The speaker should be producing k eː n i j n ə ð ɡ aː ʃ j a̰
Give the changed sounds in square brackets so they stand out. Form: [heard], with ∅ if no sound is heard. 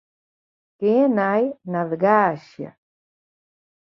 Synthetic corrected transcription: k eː n [a] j n [a] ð ɡ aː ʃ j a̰

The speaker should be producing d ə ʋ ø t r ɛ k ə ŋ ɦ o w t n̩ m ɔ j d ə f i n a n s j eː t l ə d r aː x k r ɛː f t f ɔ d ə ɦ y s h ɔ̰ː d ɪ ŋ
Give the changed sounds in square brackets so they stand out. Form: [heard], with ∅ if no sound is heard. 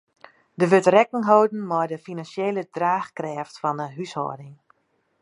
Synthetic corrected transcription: d ə ʋ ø t r ɛ k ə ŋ ɦ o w [d] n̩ m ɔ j d ə f i n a n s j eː [∅] l ə d r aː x k r ɛː f t f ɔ [n] ə ɦ y s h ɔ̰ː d ɪ ŋ

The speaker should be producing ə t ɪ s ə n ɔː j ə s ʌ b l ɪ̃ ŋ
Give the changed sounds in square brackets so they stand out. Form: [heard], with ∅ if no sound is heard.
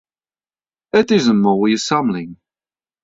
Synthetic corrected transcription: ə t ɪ [z] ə [m] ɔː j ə s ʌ [m] l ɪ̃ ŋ

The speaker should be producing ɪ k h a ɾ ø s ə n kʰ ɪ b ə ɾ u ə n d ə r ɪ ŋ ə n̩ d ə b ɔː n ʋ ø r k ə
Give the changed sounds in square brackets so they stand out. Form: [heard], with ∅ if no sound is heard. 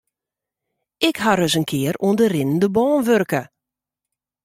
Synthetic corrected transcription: ɪ k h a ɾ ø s ə n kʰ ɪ [∅] ə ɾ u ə n d ə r ɪ [n] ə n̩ d ə b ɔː n ʋ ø r k ə

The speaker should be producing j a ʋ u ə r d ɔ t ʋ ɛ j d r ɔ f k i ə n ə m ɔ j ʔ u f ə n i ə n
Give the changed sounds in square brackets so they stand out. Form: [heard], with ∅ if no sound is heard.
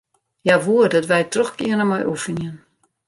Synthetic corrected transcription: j a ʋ u ə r d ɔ t ʋ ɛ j [t] r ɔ [x] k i ə n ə m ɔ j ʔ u f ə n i ə n

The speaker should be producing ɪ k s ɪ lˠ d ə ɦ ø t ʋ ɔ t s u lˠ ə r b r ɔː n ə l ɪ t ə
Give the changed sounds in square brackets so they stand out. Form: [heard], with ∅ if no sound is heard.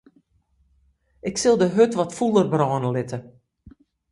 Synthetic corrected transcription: ɪ k s ɪ lˠ d ə ɦ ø t ʋ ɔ t [f] u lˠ ə r b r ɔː n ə l ɪ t ə

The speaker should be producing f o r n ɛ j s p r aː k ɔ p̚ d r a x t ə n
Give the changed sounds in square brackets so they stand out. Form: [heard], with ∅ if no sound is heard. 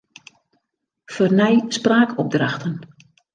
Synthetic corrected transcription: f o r n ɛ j s p r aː k ɔ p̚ d r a x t ə n

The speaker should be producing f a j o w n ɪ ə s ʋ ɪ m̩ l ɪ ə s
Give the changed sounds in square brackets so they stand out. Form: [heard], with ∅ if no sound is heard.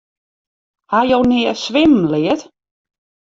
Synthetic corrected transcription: [h] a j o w n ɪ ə s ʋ ɪ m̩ l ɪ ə [t]

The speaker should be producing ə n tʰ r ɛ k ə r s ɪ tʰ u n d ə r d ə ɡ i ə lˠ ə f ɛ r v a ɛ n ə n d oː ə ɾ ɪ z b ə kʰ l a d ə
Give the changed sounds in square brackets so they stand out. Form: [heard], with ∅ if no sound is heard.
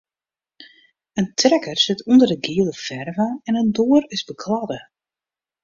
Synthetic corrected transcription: ə n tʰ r ɛ k ə r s ɪ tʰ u n d ə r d ə ɡ i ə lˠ ə f ɛ r v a ɛ n ə n d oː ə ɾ ɪ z b ə kʰ l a d ə

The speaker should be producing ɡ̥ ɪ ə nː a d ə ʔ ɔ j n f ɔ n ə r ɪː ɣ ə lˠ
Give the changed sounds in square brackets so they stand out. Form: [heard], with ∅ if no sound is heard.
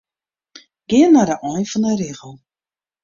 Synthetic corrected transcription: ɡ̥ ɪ ə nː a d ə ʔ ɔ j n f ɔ n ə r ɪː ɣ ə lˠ

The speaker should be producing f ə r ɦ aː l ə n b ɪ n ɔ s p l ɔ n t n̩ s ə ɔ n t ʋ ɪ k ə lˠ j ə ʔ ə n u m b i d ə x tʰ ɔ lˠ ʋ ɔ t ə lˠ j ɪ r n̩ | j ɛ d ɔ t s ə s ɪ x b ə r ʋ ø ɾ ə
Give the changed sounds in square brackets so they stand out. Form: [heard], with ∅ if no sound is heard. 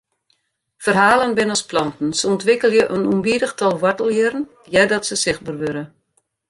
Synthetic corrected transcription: f ə r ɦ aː l ə n b ɪ n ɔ s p l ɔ n t n̩ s ə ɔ n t ʋ ɪ k ə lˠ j ə ʔ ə n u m b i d ə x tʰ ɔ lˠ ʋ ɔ t ə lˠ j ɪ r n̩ | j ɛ d ɔ t s ə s ɪ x b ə r ʋ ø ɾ ə

